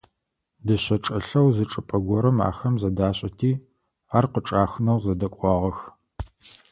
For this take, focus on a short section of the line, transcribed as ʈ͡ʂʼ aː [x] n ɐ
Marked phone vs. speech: correct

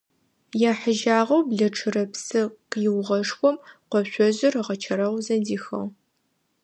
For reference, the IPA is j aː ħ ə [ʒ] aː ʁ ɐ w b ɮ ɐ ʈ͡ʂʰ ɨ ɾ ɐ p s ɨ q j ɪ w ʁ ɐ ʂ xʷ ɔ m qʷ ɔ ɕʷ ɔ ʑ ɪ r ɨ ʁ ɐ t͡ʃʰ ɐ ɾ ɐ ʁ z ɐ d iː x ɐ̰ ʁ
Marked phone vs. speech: correct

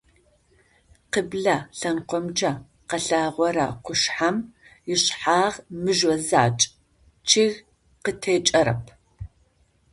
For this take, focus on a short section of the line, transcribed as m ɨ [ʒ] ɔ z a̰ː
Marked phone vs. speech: correct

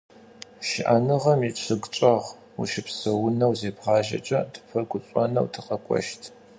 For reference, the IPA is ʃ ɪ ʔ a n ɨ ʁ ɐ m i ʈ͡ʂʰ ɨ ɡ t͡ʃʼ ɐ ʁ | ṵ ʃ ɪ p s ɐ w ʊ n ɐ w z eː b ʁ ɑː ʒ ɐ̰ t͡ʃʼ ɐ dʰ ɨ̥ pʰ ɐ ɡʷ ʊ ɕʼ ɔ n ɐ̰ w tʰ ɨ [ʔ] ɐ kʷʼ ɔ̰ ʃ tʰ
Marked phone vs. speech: incorrect: q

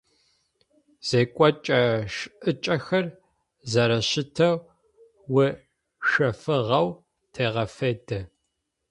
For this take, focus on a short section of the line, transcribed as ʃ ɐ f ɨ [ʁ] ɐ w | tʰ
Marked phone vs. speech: correct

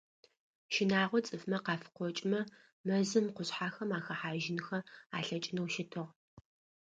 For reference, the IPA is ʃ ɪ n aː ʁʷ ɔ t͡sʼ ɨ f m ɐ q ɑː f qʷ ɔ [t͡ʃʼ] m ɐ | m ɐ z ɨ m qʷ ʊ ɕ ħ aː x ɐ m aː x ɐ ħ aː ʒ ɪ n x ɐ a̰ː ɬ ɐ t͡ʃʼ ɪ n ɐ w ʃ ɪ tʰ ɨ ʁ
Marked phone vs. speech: correct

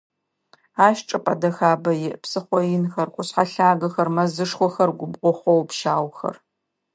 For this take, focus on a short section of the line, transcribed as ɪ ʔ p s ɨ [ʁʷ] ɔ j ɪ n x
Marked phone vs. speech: incorrect: χʷ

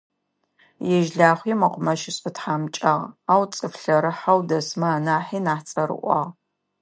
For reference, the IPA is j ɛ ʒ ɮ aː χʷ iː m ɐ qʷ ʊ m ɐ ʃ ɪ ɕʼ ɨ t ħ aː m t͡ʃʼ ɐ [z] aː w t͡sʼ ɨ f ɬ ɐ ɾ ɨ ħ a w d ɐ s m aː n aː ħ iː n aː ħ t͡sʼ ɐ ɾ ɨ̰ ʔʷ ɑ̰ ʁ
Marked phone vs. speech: incorrect: ʁ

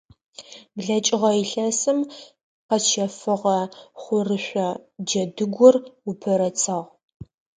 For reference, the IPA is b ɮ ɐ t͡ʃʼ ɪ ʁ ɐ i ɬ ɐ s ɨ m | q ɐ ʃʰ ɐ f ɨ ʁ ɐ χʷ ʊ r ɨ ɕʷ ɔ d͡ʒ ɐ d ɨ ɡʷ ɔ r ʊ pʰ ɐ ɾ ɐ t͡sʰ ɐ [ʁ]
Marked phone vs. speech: correct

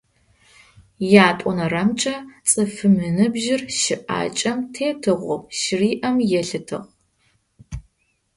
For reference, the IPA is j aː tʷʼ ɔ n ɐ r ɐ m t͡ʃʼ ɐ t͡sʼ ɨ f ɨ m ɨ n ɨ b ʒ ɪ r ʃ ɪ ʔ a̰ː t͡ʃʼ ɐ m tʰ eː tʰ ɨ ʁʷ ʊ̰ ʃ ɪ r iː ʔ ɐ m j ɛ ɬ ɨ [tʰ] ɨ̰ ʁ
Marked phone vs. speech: correct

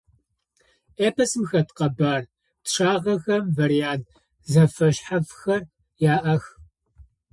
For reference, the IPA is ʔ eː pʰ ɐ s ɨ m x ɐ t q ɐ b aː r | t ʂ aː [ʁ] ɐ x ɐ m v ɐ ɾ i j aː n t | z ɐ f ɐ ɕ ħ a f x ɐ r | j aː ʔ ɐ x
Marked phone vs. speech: correct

